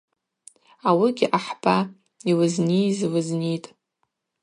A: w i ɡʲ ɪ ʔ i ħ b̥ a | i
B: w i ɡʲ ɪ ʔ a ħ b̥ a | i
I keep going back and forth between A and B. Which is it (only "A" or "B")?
B